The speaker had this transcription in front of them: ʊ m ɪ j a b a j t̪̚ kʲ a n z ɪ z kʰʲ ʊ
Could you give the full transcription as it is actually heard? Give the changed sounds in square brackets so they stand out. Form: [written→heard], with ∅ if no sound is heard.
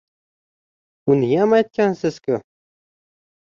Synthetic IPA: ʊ [m→n] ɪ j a [b→m] a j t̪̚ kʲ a n [z→s] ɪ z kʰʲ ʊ